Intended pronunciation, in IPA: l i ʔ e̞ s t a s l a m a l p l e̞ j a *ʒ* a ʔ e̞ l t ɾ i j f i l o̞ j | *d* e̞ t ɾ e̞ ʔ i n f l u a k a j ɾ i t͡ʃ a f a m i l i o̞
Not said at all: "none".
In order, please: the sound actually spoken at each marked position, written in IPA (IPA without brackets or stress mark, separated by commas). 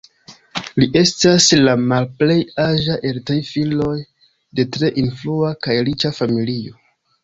ʒ, d